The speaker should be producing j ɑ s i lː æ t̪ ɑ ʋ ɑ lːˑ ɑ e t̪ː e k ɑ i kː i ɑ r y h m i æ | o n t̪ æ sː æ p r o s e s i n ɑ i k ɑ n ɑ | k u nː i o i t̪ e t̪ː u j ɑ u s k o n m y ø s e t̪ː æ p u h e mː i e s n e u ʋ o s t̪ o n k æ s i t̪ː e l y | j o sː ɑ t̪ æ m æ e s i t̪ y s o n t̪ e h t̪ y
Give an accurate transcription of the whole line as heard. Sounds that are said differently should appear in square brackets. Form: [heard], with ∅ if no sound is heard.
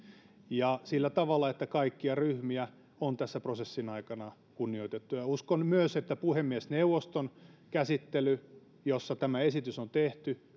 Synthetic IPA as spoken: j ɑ s i lː æ t̪ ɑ ʋ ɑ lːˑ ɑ e t̪ː [æ] k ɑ i kː i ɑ r y h m i æ | o n t̪ æ sː æ p r o s e [sː] i n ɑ i k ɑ n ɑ | k u nː i o i t̪ e t̪ː u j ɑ u s k o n m y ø s e t̪ː æ p u h e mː i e s n e u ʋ o s t̪ o n k æ s i t̪ː e l y | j o sː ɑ t̪ æ m æ e s i t̪ y s o n t̪ e h t̪ y